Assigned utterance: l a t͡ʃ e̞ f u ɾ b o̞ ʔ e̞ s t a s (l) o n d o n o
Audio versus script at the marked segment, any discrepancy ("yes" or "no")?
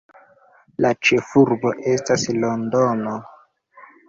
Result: no